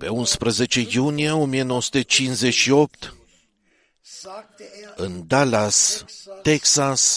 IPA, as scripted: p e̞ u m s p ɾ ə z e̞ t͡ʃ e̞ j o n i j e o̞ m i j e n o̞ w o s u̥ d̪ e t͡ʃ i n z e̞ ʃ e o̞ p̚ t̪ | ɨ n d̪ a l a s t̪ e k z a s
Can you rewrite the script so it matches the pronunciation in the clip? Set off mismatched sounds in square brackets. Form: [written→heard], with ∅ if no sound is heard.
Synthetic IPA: p e̞ u [m→n] s p ɾ ə z e̞ t͡ʃ e̞ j [o→u] n i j e o̞ m i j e n o̞ w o s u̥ [d̪→t̪] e t͡ʃ i n z e̞ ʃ [e→i] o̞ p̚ t̪ | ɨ n d̪ a l a s t̪ e k [z→s] a s